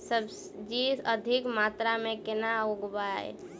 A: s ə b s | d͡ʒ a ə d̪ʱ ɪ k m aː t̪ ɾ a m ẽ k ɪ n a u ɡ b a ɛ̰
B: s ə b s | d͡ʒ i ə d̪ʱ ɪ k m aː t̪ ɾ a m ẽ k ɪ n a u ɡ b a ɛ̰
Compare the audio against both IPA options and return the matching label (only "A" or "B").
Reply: B